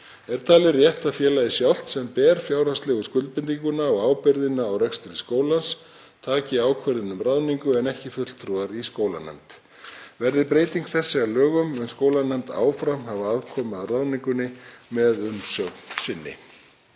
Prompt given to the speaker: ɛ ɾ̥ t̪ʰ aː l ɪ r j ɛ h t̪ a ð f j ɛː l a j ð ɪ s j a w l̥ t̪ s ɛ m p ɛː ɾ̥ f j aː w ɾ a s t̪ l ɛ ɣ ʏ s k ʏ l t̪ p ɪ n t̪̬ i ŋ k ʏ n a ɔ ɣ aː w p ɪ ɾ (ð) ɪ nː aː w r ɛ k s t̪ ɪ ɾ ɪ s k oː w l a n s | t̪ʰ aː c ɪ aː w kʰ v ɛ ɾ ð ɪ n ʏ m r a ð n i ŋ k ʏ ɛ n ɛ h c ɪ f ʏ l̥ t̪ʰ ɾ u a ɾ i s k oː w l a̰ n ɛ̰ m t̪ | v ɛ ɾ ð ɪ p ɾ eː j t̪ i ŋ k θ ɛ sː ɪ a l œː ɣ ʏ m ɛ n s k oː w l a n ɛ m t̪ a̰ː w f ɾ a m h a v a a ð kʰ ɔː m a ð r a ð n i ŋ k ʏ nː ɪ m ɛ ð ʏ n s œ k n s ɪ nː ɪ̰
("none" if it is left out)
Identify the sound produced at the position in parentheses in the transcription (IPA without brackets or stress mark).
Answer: ð